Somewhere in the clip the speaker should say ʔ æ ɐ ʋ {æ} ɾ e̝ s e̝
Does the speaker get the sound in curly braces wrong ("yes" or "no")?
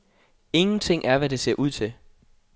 no